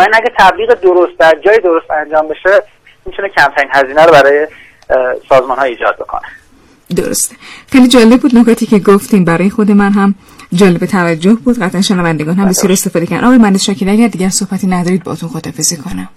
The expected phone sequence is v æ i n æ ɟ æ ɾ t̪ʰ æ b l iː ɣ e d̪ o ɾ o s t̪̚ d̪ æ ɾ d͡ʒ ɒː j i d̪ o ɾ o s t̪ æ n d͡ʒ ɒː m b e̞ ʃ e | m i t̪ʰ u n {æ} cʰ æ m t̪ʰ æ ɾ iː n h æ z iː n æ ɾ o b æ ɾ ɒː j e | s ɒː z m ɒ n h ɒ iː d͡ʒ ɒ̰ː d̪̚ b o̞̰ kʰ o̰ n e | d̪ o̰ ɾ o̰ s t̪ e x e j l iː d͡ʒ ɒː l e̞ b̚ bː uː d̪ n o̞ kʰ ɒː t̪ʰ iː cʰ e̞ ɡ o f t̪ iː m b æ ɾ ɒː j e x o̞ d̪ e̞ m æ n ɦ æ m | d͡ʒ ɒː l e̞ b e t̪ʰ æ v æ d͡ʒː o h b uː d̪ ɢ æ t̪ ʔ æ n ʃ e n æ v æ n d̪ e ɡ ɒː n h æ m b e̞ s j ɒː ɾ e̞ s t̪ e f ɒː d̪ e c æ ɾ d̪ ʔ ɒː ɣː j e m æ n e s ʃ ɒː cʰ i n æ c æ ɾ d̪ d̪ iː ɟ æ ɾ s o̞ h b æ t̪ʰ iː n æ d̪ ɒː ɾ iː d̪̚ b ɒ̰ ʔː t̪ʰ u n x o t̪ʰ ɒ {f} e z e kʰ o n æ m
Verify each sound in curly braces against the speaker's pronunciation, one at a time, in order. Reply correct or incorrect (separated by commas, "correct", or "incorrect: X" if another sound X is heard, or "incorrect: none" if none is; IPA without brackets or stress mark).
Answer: incorrect: e, correct